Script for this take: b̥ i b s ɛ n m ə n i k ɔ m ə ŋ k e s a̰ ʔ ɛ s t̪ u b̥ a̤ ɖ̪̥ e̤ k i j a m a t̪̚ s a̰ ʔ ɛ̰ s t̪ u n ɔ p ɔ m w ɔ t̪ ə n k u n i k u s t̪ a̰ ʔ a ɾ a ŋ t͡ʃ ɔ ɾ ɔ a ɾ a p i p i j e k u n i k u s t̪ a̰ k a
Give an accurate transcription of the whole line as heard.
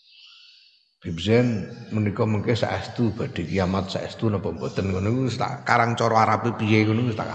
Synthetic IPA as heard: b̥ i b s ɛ n m ə n i k ɔ m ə ŋ k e s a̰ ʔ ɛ s t̪ u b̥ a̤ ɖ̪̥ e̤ k i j a m a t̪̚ s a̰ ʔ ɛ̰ s t̪ u n ɔ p ɔ m b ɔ t̪ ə n k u n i k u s t̪ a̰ k a ɾ a ŋ t͡ʃ ɔ ɾ ɔ a ɾ a p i p i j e k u n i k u s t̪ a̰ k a